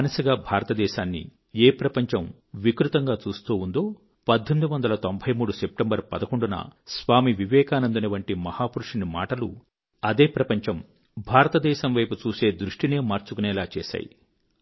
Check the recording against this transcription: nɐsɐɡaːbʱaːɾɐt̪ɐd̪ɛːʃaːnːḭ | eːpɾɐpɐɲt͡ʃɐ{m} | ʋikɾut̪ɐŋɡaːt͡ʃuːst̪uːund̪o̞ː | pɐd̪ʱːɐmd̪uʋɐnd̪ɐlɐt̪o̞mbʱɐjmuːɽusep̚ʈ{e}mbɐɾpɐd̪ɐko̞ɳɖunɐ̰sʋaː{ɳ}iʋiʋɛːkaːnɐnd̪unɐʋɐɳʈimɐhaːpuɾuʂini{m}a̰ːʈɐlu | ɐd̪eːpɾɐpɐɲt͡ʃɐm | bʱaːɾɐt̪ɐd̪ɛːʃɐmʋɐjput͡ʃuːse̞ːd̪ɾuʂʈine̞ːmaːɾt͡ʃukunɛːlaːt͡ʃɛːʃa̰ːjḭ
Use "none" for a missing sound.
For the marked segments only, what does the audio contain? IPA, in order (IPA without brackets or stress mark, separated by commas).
m, e, m, m